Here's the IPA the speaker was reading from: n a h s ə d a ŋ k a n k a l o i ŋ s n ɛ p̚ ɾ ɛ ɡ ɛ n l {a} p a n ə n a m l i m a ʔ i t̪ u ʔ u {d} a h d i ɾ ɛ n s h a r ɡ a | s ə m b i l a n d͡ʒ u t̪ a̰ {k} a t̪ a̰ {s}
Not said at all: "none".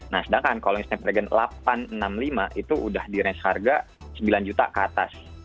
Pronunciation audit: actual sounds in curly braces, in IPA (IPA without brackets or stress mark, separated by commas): a, d, k, s